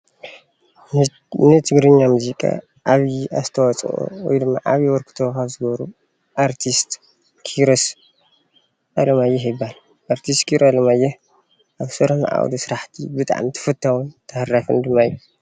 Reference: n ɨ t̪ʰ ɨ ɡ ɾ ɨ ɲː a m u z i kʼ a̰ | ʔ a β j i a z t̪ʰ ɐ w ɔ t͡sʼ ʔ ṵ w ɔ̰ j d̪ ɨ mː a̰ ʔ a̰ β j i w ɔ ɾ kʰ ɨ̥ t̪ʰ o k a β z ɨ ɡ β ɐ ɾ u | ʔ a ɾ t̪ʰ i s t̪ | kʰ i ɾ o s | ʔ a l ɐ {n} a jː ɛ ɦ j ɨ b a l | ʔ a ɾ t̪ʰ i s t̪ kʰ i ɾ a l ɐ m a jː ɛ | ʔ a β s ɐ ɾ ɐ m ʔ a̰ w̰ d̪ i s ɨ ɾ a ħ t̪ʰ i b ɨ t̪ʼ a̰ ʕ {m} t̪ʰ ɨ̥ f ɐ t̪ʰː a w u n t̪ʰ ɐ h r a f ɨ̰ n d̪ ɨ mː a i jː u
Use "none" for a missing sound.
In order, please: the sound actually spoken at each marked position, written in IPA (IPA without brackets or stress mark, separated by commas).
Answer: m, m